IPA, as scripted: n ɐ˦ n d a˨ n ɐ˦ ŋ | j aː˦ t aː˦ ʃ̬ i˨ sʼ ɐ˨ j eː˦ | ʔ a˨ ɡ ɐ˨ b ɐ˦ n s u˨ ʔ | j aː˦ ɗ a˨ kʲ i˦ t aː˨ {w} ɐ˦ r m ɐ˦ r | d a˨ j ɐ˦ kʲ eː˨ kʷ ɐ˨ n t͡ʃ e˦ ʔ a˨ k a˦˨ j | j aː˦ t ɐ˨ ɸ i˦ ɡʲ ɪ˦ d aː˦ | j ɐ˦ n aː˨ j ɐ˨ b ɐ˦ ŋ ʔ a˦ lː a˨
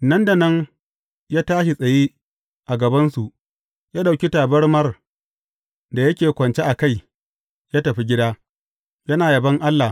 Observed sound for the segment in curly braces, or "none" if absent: b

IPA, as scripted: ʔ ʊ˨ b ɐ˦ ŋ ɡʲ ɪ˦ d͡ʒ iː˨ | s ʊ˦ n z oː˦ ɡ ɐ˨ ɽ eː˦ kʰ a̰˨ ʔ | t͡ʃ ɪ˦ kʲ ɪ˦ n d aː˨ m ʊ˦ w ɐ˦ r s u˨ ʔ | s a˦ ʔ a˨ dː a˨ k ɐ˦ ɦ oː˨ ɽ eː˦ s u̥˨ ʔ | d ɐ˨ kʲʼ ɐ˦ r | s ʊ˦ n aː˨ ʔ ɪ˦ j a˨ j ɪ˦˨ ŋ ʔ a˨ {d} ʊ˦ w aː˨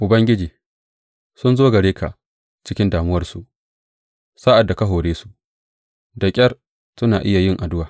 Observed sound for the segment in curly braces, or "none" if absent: d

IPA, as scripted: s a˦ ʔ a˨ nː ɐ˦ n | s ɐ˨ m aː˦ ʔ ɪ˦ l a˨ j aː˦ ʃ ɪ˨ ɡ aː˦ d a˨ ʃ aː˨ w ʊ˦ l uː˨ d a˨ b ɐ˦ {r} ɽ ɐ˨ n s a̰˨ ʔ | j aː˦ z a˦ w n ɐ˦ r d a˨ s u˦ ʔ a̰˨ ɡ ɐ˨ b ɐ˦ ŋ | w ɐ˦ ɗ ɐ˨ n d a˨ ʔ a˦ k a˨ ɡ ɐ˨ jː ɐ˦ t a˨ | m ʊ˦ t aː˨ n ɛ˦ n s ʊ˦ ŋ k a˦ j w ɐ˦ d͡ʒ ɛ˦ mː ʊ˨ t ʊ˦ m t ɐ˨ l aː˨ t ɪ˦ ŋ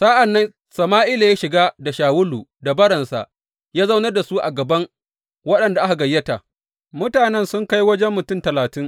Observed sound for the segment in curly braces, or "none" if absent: none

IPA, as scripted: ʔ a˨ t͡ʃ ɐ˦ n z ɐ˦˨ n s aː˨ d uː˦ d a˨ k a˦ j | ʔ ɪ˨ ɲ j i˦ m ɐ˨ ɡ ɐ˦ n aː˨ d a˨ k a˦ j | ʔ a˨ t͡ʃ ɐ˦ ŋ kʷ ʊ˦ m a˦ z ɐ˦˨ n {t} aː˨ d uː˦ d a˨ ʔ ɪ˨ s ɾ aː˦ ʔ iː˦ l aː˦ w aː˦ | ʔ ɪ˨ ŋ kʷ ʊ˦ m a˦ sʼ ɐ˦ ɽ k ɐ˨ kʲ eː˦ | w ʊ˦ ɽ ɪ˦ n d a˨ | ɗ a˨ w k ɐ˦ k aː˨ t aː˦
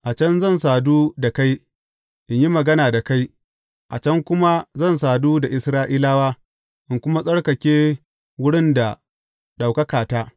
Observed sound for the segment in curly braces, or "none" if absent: s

